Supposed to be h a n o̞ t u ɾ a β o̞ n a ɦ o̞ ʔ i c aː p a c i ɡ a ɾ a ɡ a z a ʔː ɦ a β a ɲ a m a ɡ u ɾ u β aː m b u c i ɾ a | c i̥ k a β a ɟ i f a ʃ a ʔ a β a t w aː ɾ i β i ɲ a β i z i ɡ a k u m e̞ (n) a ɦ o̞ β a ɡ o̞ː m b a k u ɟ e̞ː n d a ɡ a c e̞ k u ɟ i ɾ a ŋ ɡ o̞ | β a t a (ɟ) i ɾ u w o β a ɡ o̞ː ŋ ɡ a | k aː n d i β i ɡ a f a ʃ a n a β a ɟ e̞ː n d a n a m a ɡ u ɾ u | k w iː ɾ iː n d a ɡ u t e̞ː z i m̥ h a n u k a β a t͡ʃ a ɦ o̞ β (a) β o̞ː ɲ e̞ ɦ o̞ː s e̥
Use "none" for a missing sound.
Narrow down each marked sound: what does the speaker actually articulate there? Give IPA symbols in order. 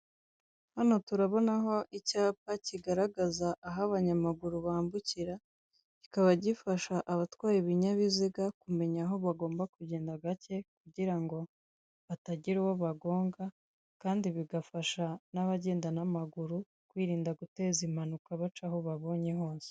ɲ, ɟ, a

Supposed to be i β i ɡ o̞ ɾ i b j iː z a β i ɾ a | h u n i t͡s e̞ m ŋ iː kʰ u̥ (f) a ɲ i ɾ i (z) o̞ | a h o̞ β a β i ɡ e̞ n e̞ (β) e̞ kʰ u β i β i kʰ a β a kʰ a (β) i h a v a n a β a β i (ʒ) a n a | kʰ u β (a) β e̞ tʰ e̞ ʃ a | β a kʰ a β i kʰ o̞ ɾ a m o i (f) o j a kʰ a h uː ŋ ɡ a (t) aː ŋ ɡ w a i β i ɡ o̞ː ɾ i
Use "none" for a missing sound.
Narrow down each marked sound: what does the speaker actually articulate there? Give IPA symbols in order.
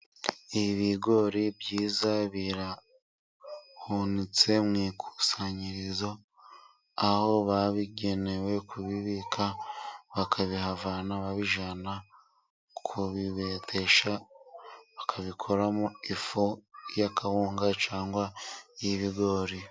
s, z, w, β, ʒ, i, f, t͡ʃ

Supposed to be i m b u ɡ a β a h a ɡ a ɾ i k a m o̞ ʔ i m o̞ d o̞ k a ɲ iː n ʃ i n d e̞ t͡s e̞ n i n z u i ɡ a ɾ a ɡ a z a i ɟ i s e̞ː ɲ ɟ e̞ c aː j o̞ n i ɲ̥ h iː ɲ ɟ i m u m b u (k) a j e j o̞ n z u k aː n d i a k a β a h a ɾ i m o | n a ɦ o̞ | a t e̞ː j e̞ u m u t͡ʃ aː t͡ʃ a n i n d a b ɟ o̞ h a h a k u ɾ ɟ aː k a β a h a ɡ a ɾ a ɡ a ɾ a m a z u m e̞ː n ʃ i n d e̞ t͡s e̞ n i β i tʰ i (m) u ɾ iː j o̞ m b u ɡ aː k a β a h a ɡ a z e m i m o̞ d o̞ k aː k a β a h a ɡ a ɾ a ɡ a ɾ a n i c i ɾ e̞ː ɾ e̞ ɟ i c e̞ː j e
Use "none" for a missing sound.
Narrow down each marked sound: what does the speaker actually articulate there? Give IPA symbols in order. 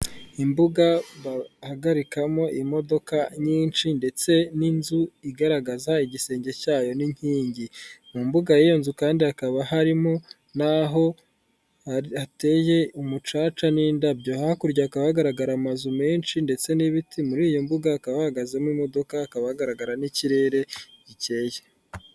ɡ, m

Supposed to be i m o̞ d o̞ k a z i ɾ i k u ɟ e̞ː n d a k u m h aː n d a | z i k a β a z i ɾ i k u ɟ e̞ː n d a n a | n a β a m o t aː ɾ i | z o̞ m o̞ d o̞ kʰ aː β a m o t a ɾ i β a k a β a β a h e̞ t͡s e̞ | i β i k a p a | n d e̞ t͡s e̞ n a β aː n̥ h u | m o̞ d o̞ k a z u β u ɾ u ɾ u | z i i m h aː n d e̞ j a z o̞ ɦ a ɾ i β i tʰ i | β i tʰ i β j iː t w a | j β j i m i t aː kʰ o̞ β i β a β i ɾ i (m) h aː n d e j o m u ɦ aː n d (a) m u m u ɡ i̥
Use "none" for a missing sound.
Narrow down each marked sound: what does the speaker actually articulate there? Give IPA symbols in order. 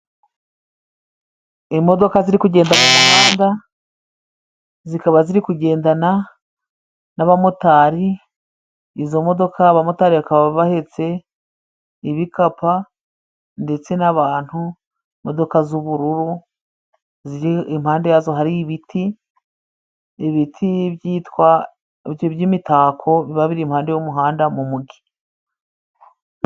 m, a

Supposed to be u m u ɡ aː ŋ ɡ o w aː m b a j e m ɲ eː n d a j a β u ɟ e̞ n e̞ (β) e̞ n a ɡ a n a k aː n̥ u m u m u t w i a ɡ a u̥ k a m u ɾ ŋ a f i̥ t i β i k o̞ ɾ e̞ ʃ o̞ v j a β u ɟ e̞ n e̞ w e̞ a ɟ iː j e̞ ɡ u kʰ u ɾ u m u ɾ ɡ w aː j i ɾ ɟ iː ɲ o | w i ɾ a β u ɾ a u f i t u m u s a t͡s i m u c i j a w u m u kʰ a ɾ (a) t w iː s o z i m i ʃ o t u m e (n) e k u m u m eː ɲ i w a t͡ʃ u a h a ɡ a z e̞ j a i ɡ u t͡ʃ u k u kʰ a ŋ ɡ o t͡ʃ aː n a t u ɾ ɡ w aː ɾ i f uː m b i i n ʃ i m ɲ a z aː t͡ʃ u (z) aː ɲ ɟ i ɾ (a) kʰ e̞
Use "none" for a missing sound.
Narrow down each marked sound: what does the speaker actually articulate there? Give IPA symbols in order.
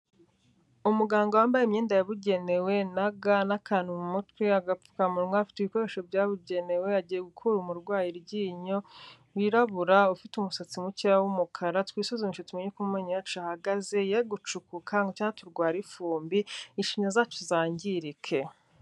w, a, ɲ, z, i

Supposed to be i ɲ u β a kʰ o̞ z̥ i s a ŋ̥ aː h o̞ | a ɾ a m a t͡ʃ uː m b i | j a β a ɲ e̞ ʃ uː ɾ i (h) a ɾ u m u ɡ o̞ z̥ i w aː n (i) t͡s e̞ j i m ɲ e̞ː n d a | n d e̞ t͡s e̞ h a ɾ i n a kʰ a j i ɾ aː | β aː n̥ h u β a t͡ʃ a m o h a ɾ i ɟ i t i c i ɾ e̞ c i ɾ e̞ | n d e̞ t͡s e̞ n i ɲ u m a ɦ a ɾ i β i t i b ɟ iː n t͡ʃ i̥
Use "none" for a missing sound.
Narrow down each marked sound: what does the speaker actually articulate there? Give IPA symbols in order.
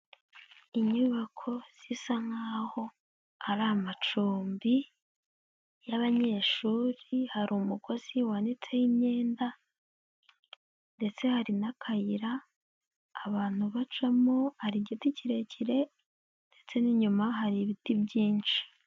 h, i

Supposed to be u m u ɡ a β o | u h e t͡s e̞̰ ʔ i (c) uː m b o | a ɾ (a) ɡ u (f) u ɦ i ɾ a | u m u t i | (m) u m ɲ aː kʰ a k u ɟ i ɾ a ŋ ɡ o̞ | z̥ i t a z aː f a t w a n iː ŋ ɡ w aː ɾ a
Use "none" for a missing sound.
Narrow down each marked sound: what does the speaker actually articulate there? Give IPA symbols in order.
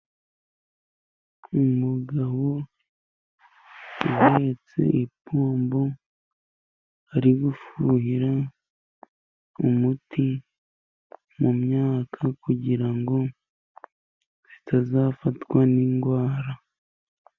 p, i, f, m

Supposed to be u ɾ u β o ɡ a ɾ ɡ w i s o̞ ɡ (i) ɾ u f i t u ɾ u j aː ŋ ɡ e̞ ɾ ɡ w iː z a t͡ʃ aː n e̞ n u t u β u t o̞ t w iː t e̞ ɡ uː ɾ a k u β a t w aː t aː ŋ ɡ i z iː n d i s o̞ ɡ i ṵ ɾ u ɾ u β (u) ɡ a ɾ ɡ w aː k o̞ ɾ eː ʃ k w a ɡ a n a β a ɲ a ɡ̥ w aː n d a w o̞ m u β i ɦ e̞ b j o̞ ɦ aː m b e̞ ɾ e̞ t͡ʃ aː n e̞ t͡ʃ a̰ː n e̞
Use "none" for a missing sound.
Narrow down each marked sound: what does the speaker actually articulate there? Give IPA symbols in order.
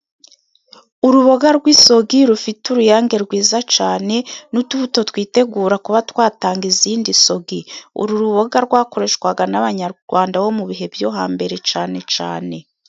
i, o

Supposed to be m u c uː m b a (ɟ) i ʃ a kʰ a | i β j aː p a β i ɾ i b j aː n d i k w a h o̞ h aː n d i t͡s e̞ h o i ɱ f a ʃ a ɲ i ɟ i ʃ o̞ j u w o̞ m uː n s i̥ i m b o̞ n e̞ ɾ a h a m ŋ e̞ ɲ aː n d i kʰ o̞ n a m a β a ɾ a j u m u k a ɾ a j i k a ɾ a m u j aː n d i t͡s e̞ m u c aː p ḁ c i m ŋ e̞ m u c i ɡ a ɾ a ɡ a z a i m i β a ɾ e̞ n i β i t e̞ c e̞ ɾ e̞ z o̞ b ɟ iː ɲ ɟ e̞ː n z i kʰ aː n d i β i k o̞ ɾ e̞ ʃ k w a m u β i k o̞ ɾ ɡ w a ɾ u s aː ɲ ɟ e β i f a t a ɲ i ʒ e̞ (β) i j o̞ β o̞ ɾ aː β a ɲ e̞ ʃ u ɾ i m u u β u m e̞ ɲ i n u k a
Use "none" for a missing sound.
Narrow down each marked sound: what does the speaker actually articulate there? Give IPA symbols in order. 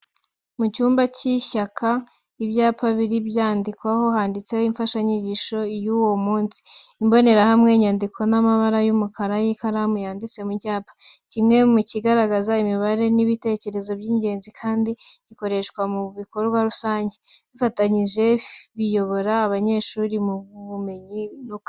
c, β

